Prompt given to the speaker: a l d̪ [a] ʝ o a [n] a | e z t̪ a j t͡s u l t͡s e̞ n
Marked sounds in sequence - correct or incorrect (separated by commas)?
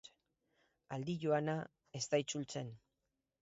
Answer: incorrect, correct